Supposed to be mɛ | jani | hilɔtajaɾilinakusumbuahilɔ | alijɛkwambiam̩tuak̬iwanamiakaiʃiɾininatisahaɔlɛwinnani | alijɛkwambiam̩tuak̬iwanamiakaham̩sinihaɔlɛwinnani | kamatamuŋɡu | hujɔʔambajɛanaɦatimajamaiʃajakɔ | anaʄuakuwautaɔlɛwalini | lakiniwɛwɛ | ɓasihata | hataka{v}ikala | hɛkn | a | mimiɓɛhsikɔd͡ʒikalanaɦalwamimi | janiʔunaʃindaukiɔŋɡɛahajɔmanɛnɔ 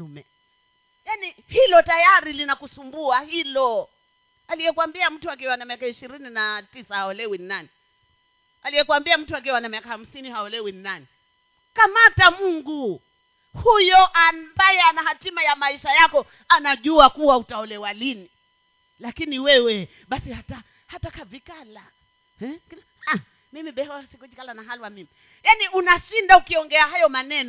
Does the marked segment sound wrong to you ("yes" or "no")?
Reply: no